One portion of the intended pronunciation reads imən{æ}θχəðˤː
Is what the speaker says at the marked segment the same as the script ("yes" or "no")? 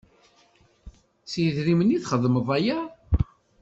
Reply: no